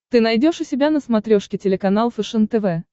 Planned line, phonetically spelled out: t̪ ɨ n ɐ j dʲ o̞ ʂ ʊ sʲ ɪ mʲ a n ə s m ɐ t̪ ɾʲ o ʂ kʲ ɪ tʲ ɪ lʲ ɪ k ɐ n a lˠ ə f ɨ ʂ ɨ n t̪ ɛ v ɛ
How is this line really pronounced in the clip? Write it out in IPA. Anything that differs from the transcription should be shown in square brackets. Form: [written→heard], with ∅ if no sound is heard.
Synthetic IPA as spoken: t̪ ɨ n ɐ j dʲ o̞ ʂ ʊ sʲ ɪ [mʲ→bʲ] a n ə s m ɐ t̪ ɾʲ o ʂ kʲ ɪ tʲ ɪ lʲ ɪ k ɐ n a lˠ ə f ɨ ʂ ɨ n t̪ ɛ v ɛ